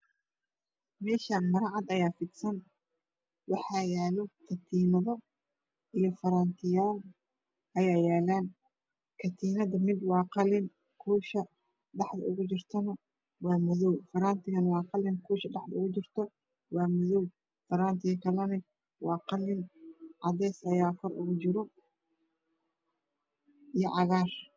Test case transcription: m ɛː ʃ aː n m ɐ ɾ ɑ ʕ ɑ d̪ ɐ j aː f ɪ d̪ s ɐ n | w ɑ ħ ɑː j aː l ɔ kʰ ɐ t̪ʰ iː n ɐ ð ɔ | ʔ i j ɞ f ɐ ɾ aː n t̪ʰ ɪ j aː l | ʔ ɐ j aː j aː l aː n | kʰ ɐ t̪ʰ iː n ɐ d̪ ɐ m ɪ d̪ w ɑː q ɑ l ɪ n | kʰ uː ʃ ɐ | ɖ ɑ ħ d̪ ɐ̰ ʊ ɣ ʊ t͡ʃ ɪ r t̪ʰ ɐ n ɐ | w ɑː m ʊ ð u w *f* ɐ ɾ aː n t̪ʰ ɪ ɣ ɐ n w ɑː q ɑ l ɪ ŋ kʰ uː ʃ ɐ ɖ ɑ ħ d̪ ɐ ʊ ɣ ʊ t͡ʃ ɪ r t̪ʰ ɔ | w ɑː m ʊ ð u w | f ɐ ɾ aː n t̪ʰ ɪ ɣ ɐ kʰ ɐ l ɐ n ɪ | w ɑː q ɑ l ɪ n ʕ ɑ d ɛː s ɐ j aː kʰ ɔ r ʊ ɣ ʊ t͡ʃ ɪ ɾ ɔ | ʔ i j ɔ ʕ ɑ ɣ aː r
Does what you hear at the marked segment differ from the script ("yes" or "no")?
no